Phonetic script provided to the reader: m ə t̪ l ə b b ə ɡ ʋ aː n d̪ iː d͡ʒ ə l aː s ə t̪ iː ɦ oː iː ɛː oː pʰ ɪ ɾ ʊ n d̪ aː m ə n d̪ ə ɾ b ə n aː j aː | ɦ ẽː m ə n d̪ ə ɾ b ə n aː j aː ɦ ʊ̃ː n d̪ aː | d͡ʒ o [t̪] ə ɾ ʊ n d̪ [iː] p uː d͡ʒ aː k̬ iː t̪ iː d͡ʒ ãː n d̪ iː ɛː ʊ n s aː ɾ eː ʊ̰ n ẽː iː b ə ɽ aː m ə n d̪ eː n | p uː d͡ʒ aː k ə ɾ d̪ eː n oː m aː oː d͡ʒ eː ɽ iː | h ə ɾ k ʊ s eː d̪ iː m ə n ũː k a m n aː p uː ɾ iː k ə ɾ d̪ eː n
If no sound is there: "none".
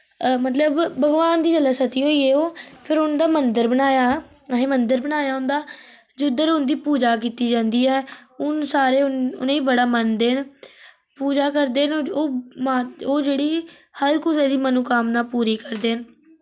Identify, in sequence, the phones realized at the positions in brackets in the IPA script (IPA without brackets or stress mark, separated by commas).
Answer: d̪, iː